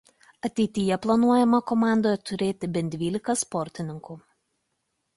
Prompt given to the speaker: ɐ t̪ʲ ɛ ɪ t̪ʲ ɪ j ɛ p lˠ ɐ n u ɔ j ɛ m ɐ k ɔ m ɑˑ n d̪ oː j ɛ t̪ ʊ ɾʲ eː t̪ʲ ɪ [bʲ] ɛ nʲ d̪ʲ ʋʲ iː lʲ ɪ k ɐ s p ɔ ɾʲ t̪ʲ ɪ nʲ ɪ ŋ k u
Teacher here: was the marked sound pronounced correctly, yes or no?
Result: yes